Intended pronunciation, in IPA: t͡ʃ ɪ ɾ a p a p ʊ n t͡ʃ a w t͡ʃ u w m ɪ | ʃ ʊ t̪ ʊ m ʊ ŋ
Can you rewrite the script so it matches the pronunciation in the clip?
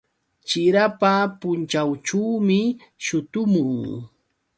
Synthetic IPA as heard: t͡ʃ ɪ ɾ a p a p ʊ n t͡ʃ a w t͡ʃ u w m ɪ | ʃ ʊ t̪ ʊ m ʊ ŋ